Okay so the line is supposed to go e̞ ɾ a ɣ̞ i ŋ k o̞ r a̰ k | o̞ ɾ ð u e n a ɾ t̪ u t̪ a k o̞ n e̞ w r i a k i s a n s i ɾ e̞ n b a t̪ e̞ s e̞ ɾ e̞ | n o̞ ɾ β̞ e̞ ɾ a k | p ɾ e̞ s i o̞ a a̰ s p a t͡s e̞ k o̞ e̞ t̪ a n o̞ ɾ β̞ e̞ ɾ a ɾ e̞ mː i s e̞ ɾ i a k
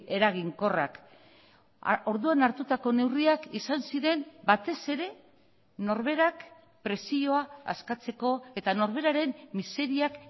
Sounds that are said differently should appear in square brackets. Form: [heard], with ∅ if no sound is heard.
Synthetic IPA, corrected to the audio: e̞ ɾ a ɣ̞ i ŋ k o̞ r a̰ k | o̞ ɾ ð u [a] n a ɾ t̪ u t̪ a k o̞ n e̞ w r i a k i s a n s i ɾ e̞ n b a t̪ e̞ s e̞ ɾ e̞ | n o̞ ɾ β̞ e̞ ɾ a k | p ɾ e̞ s i o̞ a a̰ s [k] a t͡s e̞ k o̞ e̞ t̪ a n o̞ ɾ β̞ e̞ ɾ a ɾ e̞ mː i s e̞ ɾ i a k